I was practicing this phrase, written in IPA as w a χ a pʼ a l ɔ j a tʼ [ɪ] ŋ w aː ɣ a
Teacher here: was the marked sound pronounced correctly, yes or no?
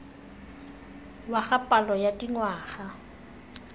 no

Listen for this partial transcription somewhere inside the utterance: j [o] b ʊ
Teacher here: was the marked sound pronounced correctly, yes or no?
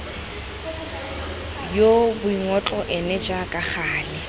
yes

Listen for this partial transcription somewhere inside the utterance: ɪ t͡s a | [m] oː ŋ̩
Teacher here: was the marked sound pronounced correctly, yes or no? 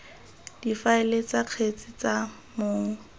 yes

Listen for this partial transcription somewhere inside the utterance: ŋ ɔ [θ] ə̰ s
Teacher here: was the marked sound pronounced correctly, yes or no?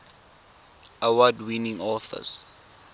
yes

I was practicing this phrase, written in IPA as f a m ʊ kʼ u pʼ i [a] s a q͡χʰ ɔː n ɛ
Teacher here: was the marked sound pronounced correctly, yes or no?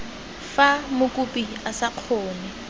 yes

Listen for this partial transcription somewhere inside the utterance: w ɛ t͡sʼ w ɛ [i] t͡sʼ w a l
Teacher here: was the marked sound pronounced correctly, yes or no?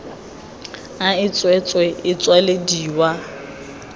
no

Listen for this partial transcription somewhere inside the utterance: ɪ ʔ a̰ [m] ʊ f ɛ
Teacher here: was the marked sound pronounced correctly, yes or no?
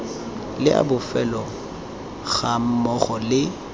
no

